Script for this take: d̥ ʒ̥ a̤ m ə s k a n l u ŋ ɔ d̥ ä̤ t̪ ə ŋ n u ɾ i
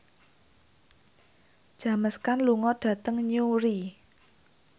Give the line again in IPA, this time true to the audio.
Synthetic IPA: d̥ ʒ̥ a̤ m ə s k a n l u ŋ ɔ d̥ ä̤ t̪ ə ŋ ɲ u ɾ i